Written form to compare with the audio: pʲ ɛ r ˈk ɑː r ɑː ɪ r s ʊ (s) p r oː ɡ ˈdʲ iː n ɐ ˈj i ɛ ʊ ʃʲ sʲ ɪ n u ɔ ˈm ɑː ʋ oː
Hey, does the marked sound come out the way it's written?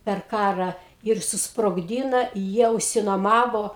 yes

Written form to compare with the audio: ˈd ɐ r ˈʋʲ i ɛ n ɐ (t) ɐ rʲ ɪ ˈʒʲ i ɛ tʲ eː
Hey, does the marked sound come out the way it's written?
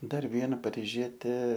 no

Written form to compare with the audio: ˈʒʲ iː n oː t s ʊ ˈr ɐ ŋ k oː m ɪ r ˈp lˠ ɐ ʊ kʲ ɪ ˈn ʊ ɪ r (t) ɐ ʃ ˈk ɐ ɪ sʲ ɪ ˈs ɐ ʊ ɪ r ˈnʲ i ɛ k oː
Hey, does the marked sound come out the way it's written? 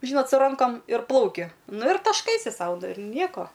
yes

